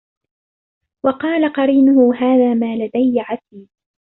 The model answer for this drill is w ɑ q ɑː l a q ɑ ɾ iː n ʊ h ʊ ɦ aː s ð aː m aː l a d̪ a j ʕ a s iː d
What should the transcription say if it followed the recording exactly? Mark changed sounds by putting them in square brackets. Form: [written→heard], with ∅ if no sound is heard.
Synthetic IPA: w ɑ q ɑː l a q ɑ ɾ iː n ʊ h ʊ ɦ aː [s→∅] ð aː m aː l a d̪ a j ʕ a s iː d